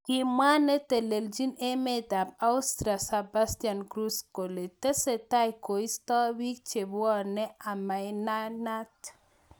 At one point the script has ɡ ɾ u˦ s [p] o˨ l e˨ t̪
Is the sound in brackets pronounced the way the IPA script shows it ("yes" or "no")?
no